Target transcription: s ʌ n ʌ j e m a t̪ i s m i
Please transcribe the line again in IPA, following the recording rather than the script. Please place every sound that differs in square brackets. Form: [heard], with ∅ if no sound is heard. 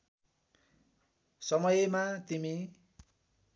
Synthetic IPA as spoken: s ʌ [m] ʌ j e m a t̪ i [∅] m i